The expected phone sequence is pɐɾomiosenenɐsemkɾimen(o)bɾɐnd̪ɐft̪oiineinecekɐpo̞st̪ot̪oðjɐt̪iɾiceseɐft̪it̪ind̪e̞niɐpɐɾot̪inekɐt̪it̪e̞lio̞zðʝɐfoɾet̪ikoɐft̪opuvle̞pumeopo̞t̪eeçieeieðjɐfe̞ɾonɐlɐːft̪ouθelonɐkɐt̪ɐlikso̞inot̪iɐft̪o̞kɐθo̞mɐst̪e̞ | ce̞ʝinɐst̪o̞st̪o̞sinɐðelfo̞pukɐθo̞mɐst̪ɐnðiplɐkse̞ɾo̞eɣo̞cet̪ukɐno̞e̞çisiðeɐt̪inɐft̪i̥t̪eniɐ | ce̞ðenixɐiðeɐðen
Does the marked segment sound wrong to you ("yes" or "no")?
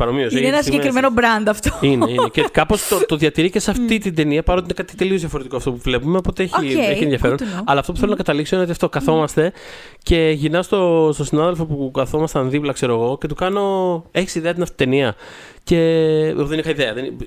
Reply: no